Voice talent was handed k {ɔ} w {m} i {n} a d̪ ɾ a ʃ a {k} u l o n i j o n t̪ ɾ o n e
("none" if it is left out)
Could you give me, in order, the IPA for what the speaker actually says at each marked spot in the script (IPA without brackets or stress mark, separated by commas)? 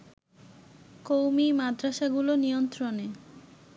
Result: o, m, m, ɡ